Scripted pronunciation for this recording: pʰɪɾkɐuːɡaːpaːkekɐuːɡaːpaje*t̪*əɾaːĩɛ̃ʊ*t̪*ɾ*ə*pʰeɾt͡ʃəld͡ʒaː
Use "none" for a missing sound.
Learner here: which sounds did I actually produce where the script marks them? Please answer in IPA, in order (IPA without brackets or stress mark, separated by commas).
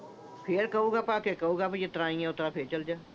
t̪, t̪, a